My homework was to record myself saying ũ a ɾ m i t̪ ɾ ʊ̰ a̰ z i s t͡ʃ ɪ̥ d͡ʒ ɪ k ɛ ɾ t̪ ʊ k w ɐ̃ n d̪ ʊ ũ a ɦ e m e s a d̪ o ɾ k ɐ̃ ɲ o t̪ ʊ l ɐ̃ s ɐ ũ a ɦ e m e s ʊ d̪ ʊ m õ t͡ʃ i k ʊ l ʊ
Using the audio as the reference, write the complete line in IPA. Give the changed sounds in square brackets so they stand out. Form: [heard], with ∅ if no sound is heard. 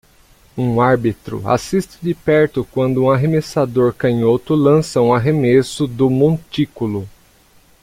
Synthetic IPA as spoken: ũ a ɾ [b] i t̪ ɾ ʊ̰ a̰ [s] i s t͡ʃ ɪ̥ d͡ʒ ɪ [p] ɛ ɾ t̪ ʊ k w ɐ̃ n d̪ ʊ ũ a ɦ e m e s a d̪ o ɾ k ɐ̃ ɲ o t̪ ʊ l ɐ̃ s ɐ ũ a ɦ e m e s ʊ d̪ ʊ m õ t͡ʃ i k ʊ l ʊ